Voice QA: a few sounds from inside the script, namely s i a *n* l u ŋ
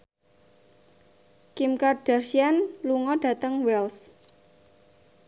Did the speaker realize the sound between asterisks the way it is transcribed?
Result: yes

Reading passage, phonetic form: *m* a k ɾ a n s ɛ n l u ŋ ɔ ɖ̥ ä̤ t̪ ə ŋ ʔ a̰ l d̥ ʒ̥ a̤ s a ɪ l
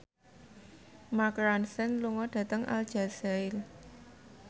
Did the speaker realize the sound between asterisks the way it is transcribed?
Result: yes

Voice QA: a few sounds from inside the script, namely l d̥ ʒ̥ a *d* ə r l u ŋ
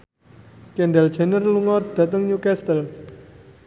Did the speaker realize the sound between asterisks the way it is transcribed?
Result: no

